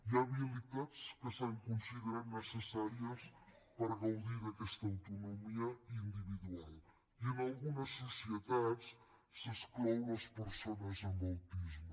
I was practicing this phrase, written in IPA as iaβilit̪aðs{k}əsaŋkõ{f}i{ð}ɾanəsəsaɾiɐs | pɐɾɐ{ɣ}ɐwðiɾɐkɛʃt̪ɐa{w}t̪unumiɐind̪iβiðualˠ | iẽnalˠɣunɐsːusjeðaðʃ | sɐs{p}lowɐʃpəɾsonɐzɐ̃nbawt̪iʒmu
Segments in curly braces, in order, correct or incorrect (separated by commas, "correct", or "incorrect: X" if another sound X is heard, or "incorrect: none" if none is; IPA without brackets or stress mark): correct, incorrect: s, correct, correct, correct, incorrect: k